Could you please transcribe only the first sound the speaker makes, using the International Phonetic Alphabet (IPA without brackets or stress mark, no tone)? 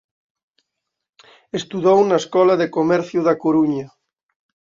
e